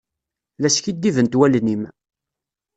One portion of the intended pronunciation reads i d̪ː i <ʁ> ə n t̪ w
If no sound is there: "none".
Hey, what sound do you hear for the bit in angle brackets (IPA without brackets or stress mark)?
v